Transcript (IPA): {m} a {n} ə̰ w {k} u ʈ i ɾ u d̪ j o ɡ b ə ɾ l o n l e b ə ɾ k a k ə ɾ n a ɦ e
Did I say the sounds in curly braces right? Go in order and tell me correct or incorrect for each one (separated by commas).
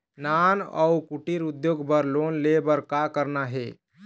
incorrect, correct, correct